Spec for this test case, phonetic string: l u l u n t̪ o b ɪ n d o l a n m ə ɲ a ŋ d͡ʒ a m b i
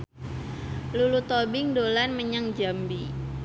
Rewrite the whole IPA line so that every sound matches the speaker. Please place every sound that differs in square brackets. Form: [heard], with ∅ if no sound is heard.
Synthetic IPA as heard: l u l u [∅] t̪ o b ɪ [ŋ] d o l a n m ə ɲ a ŋ d͡ʒ a m b i